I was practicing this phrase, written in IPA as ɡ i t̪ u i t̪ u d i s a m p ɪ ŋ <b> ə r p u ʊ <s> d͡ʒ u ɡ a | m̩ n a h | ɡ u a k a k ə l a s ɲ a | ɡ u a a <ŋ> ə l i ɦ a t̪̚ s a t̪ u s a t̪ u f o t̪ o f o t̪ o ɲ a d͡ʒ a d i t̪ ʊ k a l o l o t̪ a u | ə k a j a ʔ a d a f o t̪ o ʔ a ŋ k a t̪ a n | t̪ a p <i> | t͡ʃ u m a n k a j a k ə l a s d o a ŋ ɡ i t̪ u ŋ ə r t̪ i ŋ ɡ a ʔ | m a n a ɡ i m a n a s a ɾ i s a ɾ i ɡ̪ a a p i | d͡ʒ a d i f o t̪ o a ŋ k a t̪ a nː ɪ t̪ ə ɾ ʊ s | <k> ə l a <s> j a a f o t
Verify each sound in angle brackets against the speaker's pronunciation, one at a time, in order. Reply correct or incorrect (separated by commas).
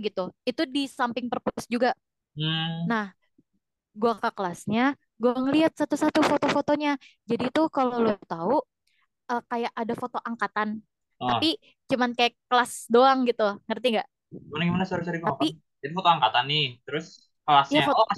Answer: incorrect, correct, correct, correct, correct, correct